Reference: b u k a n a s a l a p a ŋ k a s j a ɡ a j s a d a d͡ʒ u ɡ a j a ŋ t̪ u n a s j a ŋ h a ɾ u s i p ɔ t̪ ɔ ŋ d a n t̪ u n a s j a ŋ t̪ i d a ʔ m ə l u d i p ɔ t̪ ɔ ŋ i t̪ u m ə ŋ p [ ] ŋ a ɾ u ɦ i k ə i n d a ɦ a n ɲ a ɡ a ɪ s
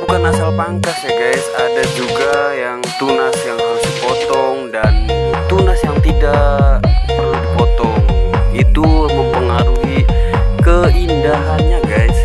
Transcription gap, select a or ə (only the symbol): ə